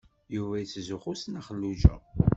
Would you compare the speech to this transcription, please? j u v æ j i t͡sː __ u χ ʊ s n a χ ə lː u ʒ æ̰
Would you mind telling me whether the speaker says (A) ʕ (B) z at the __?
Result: B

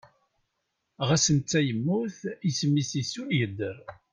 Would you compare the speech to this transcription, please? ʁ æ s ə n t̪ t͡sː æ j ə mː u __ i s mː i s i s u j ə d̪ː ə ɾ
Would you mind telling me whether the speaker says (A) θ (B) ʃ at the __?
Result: A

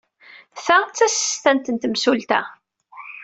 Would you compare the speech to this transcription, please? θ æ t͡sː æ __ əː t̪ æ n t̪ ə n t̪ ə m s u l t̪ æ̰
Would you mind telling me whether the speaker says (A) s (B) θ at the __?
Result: A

